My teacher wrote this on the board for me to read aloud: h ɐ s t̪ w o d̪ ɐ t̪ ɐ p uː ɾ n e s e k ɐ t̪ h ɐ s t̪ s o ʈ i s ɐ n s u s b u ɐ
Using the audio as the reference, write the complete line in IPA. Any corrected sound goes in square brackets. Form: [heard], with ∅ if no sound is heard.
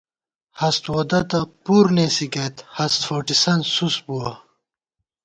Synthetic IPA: h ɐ s t̪ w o d̪ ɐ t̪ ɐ p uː ɾ n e s [i] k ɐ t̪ h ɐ s t̪ [f] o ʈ i s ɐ n s u s b u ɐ